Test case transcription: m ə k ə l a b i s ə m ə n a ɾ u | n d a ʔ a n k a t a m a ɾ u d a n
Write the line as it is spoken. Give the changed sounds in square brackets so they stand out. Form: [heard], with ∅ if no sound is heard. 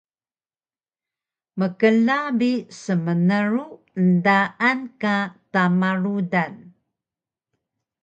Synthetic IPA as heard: m ə k ə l a b i s ə m ə n [ə] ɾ u | n d a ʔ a n k a t a m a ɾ u d a n